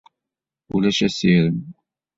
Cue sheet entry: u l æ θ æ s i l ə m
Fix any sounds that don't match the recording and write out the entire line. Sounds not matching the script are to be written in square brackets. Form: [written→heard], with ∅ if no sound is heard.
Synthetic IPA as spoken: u l æ [θ→ʃ] æ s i [l→ɾ] ə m